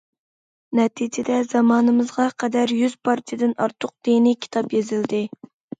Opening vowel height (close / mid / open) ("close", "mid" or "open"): mid